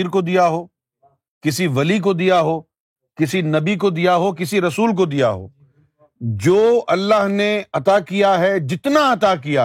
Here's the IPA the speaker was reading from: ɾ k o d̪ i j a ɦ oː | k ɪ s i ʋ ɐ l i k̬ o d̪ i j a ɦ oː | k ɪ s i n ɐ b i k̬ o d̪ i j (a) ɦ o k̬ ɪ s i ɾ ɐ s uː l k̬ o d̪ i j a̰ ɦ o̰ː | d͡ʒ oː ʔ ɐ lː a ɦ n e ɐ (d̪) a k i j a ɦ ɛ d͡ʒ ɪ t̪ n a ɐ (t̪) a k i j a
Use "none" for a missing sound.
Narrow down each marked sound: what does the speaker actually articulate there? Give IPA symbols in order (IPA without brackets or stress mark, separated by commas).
a, t̪, t̪